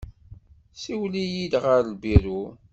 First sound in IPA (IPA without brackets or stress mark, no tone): s